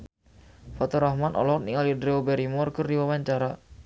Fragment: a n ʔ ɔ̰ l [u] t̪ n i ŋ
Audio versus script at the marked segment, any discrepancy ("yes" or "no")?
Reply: yes